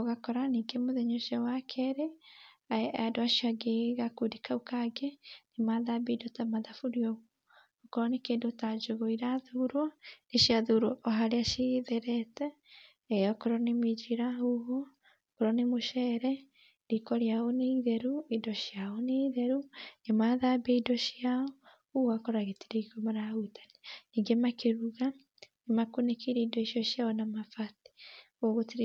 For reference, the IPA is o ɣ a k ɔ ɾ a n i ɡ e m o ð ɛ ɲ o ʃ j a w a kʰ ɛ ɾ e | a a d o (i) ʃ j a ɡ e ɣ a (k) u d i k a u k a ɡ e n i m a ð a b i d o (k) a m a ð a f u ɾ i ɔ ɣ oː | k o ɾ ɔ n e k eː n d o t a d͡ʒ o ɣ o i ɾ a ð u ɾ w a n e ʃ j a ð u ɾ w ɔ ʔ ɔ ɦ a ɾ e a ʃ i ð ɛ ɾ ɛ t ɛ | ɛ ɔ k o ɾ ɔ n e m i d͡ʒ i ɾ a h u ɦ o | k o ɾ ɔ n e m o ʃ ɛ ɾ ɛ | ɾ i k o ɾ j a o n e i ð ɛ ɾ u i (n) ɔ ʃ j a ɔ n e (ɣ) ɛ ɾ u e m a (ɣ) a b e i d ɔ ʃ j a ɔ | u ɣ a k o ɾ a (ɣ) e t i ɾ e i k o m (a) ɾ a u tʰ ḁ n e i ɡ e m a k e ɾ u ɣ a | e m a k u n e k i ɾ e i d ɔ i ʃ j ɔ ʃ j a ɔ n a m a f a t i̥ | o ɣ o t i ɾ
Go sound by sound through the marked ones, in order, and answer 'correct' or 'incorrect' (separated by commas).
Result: incorrect, correct, incorrect, incorrect, incorrect, incorrect, correct, correct